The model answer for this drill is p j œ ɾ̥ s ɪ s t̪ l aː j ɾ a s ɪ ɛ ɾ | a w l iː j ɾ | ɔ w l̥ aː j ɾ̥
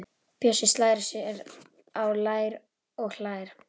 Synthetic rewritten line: p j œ s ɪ s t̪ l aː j ɾ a s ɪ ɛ ɾ | a w l aː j ɾ | ɔ ɣ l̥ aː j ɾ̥